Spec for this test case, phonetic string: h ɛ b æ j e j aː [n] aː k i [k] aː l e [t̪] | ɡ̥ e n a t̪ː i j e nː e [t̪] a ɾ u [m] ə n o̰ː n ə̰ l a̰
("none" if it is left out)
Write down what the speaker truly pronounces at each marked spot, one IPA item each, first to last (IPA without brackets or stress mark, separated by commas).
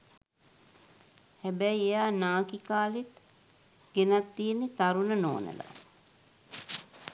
n, k, t̪, t̪, n